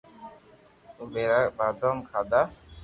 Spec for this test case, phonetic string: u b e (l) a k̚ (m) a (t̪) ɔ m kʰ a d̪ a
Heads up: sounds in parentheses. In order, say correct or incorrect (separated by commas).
incorrect, incorrect, incorrect